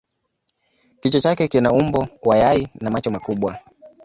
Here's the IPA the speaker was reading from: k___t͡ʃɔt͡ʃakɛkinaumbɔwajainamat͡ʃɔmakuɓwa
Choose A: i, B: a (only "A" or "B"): A